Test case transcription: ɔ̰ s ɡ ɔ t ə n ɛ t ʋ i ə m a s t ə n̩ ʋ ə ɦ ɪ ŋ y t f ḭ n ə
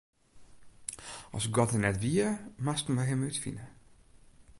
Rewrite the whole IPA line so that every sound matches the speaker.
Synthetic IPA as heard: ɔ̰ s ɡ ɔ t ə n ɛ t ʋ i ə m a s t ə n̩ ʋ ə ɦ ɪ m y t f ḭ n ə